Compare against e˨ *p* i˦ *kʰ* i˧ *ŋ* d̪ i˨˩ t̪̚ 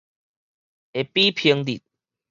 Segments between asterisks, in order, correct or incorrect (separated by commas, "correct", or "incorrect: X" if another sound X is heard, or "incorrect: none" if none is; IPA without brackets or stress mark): correct, incorrect: pʰ, correct